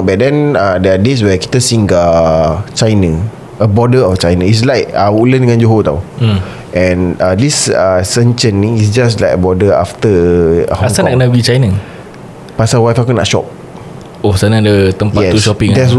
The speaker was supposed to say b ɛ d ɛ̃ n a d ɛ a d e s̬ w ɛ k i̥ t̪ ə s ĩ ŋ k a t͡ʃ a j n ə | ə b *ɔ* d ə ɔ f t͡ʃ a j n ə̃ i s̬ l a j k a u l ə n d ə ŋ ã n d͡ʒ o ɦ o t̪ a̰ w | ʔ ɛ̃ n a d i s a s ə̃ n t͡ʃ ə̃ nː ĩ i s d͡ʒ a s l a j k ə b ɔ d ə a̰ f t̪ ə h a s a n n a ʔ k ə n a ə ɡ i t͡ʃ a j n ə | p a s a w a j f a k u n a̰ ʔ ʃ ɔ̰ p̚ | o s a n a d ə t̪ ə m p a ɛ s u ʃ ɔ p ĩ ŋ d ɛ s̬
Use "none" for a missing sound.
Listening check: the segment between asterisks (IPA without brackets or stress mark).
ɔ